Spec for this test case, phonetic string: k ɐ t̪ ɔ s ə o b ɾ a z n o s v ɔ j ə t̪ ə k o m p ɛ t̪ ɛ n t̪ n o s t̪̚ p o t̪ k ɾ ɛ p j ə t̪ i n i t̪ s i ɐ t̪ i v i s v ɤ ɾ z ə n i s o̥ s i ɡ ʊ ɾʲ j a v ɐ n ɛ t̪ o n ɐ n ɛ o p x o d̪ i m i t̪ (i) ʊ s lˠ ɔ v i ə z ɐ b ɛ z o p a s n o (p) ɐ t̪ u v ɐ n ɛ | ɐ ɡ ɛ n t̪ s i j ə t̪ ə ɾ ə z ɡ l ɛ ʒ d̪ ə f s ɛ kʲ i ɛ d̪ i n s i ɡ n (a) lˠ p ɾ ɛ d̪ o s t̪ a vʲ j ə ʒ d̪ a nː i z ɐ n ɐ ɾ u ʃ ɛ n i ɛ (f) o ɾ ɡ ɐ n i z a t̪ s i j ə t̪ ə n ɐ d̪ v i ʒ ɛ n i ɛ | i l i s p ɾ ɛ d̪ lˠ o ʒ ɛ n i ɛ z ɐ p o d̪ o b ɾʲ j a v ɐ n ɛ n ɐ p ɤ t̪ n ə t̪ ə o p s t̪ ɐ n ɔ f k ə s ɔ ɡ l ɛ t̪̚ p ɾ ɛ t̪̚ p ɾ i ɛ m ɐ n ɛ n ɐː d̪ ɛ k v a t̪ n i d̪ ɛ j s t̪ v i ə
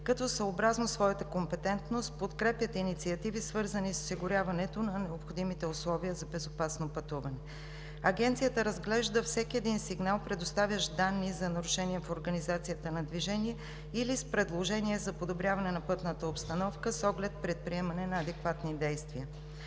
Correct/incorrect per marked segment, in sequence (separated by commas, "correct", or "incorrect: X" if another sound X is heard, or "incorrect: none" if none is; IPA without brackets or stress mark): incorrect: ɛ, correct, correct, correct